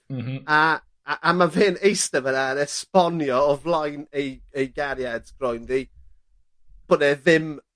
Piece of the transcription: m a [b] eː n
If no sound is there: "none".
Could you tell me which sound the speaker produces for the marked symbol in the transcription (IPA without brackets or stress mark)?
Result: v